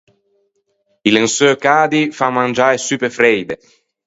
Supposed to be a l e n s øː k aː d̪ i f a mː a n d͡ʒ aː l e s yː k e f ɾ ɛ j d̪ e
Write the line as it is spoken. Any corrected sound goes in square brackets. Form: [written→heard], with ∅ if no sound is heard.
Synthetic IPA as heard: [a→i] l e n s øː k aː d̪ i f a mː a n d͡ʒ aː [l→ɾ] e s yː [k→p] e f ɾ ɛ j d̪ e